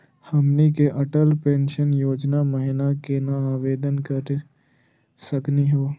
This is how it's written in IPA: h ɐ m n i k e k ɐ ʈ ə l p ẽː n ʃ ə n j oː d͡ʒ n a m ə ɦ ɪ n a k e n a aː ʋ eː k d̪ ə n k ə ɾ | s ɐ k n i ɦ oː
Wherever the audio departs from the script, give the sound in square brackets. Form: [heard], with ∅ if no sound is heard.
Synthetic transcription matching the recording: h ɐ m n i k e [ʔ] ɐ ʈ ə l p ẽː n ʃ ə n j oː d͡ʒ n a m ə ɦ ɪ n a k e n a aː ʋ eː [∅] d̪ ə n k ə ɾ | s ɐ k n i ɦ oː